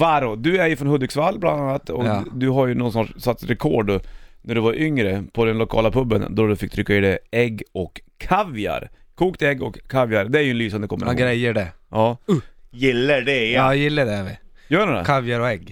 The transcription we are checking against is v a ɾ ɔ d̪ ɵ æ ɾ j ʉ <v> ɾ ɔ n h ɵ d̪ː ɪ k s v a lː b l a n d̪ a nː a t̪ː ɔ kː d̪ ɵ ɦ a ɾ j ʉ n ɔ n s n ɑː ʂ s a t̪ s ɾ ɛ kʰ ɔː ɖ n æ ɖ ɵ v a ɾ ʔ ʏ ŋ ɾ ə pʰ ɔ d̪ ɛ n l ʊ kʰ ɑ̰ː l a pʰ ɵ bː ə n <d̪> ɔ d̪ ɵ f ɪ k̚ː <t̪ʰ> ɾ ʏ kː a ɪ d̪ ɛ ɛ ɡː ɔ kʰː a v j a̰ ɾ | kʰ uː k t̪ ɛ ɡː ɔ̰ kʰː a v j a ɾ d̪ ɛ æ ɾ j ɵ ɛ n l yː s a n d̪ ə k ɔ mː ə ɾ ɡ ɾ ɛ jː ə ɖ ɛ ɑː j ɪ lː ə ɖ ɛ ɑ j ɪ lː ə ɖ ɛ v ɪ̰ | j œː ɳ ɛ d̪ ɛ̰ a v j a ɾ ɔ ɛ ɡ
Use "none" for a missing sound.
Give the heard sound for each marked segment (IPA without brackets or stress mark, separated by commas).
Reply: f, d̪, t̪ʰ